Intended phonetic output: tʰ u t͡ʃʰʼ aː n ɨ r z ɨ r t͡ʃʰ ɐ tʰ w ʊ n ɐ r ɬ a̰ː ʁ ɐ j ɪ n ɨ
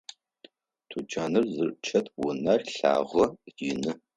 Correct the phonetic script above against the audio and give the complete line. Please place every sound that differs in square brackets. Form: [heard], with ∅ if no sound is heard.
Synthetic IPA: tʰ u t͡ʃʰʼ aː n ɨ r z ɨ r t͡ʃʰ ɐ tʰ w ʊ n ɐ r ɬ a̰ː ʁ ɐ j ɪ n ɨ